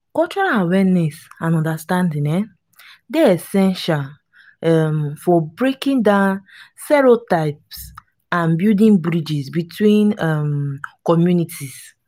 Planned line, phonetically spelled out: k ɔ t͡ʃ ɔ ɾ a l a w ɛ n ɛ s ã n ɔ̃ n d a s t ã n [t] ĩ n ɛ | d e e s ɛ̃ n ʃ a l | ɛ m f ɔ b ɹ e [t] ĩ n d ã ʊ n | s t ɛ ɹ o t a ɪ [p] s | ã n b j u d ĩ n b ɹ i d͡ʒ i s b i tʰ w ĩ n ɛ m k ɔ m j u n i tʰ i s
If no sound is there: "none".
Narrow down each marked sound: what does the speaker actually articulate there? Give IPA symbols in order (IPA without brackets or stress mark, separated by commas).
d, k, p